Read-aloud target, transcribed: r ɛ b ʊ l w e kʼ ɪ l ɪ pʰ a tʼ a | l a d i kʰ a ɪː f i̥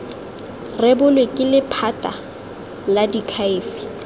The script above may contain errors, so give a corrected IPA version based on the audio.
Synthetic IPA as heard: r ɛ b ʊ l w e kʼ ɪ l ɪ pʰ a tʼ a | l a d i kʰ a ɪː f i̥